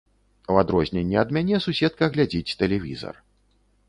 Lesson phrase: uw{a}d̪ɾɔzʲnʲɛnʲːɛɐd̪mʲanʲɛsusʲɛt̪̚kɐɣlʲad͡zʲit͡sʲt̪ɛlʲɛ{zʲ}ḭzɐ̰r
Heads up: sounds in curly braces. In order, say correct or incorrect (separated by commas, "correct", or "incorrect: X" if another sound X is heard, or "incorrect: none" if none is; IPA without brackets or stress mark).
correct, incorrect: vʲ